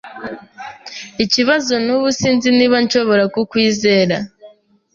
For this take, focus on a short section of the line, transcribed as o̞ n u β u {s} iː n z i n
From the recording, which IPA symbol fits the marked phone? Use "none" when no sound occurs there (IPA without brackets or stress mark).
s